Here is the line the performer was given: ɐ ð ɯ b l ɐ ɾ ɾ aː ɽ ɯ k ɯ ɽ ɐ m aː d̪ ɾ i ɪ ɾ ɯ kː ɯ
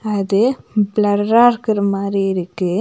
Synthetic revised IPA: ɐ ð ɯ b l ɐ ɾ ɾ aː ɾ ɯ k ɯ ɾ ɐ m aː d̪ ɾ i ɪ ɾ ɯ kː ɯ